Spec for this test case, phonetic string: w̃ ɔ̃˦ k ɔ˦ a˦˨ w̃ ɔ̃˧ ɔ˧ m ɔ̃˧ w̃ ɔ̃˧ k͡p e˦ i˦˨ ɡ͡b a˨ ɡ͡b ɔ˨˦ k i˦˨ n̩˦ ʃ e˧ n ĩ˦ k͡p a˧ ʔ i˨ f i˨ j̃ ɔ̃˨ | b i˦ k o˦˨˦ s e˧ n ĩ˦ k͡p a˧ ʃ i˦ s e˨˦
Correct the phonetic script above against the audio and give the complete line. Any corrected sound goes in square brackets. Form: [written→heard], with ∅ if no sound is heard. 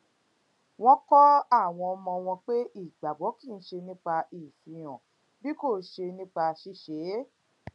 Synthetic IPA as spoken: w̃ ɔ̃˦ k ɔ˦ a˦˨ w̃ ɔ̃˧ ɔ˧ m ɔ̃˧ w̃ ɔ̃˧ k͡p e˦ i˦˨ ɡ͡b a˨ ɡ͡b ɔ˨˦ k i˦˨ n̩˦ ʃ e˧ n ĩ˦ k͡p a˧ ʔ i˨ f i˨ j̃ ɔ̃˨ | b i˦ k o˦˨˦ [s→ʃ] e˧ n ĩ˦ k͡p a˧ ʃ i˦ [s→ʃ] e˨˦